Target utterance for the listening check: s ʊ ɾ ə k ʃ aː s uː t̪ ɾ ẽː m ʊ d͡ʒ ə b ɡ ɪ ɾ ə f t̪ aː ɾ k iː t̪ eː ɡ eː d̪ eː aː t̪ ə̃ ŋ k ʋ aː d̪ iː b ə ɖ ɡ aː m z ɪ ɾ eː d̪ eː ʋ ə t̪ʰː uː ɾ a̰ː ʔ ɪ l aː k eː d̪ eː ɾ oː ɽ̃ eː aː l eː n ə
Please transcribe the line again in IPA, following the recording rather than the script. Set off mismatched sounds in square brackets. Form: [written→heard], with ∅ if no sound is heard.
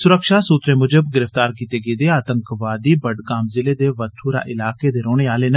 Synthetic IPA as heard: s ʊ ɾ ə k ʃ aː s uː t̪ ɾ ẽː m ʊ d͡ʒ ə b ɡ ɪ ɾ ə f t̪ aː ɾ k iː t̪ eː ɡ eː d̪ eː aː t̪ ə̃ ŋ k ʋ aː d̪ iː b ə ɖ ɡ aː m z ɪ [ɾ→l] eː d̪ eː ʋ ə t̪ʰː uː ɾ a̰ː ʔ ɪ l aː k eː d̪ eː ɾ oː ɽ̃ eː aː l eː n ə